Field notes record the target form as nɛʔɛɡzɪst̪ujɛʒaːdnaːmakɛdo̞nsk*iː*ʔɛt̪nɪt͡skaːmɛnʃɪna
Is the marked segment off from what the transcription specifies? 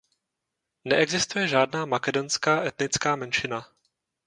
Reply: yes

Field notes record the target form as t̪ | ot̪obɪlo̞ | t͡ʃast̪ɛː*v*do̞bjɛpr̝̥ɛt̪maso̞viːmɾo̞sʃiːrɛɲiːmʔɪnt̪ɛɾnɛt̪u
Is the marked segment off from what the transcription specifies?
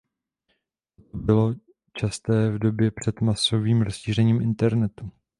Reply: no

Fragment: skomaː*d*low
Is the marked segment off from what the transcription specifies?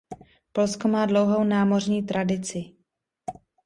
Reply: no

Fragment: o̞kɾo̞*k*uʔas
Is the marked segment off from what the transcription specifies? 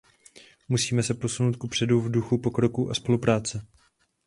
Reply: no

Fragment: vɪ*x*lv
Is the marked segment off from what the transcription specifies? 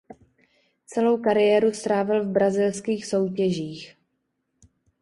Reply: yes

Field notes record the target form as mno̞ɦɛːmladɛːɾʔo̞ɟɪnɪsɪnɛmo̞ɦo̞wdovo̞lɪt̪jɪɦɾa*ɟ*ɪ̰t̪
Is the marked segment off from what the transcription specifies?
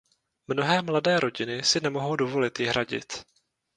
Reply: no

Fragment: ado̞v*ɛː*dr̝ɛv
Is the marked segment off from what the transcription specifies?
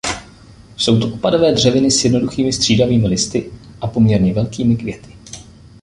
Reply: no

